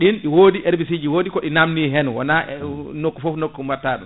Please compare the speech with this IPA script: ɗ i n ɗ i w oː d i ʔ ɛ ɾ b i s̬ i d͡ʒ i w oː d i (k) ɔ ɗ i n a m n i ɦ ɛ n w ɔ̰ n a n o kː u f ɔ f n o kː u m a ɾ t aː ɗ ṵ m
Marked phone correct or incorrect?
correct